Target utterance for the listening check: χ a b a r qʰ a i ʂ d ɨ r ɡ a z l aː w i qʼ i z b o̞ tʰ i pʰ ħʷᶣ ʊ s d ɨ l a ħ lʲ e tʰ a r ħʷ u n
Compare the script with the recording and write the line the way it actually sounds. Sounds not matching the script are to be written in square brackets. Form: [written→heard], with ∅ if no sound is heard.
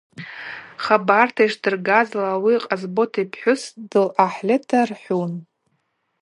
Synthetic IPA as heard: χ a b a r [qʰ→tʰ] a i ʂ d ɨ r ɡ a z l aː w i qʼ [i→a] z b o̞ tʰ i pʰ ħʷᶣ ʊ s d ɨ l a ħ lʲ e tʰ a r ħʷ u n